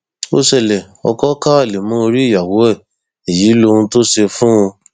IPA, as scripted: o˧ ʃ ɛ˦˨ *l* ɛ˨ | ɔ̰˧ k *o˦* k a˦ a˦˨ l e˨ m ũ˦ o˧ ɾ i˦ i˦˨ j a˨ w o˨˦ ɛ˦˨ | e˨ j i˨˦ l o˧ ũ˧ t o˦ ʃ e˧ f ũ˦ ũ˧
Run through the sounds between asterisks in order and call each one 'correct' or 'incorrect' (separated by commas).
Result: correct, incorrect